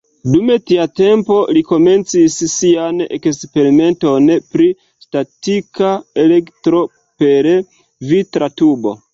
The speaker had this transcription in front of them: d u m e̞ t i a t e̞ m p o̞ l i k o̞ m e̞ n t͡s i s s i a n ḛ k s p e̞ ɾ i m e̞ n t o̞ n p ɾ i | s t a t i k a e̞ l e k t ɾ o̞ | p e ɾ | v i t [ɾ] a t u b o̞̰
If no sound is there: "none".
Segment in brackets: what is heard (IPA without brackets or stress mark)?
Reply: ɾ